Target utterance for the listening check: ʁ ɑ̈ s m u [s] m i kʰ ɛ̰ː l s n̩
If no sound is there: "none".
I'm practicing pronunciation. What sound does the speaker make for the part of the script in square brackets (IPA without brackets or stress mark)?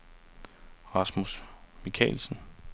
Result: s